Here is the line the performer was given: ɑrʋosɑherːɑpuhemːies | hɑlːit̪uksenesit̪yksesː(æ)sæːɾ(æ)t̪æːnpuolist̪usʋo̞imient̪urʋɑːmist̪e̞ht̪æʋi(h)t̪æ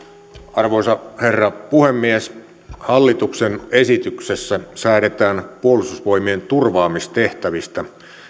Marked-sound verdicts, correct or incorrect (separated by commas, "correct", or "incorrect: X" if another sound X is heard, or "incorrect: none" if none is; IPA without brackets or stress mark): correct, incorrect: e, incorrect: s